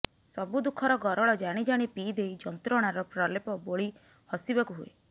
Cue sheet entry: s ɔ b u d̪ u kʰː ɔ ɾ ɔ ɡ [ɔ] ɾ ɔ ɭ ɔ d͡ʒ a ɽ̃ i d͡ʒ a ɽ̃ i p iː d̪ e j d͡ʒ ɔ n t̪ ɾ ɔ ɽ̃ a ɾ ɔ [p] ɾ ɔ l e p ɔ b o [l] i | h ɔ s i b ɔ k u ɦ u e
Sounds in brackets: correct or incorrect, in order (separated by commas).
correct, correct, incorrect